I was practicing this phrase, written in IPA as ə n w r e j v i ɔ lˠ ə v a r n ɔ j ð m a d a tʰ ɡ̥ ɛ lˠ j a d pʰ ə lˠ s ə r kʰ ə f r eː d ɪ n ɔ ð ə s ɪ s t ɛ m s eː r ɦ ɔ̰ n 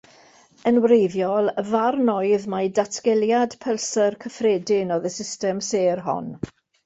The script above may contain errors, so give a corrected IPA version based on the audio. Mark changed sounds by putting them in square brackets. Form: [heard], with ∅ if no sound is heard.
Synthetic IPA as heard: ə n w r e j v [j] ɔ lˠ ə v a r n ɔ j ð m a d a tʰ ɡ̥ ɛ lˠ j a d pʰ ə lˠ s ə r kʰ ə f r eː d ɪ n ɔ ð ə s ɪ s t ɛ m s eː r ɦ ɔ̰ n